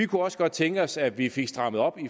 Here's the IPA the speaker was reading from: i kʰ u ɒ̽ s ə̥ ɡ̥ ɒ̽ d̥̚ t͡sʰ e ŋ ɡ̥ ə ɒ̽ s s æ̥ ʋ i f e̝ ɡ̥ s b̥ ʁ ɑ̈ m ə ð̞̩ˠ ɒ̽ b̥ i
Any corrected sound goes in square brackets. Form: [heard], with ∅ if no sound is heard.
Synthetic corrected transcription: i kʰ u ɒ̽ s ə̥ ɡ̥ ɒ̽ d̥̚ t͡sʰ e ŋ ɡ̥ ə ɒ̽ s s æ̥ ʋ i f e̝ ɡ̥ s [d̥] ʁ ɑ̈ m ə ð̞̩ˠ ɒ̽ b̥ i